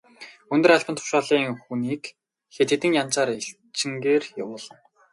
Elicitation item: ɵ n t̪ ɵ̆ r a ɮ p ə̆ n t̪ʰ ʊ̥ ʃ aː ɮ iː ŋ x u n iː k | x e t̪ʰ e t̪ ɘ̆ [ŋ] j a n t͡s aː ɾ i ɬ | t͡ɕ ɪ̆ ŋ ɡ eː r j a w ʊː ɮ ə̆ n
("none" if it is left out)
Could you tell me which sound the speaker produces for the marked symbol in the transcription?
ŋ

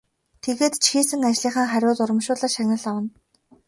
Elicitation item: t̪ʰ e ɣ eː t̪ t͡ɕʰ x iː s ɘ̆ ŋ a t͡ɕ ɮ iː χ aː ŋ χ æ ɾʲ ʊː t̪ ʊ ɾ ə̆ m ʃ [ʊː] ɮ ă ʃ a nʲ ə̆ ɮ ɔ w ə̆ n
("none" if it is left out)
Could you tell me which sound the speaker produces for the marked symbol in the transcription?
ʊː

